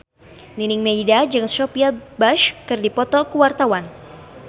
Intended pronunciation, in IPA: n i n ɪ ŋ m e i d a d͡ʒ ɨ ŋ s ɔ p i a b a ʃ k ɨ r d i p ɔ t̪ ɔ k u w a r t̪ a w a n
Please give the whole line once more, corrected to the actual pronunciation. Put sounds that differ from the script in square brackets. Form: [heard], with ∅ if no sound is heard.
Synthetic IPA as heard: n i n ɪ ŋ m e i d a d͡ʒ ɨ ŋ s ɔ p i a b a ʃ k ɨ r d i p ɔ t̪ ɔ k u w a r t̪ a w a n